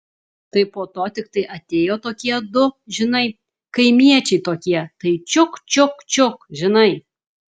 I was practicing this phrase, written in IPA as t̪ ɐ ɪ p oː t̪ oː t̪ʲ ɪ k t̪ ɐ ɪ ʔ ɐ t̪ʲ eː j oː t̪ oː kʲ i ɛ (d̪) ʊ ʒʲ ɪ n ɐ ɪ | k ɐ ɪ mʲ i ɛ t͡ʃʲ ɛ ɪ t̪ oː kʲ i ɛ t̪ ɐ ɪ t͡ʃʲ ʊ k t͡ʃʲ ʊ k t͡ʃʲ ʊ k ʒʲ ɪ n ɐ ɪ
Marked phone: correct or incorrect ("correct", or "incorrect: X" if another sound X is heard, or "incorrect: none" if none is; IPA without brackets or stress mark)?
correct